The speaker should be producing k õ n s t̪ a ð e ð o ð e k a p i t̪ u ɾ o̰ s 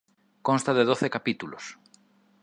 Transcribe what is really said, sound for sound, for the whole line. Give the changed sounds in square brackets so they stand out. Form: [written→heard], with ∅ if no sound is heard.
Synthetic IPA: k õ n s t̪ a ð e ð o [ð→θ] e k a p i t̪ u [ɾ→l] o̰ s